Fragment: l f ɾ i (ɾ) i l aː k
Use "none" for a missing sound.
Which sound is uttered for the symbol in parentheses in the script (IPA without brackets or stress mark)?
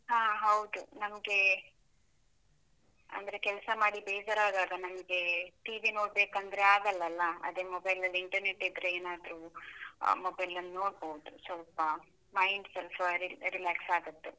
ɾ